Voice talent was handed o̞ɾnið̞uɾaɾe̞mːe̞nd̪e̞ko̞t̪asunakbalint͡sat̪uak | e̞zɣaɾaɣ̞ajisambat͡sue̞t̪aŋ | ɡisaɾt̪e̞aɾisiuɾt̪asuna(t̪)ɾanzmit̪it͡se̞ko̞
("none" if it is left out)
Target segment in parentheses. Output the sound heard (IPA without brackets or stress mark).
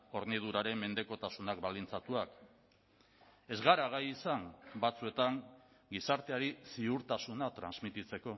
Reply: t̪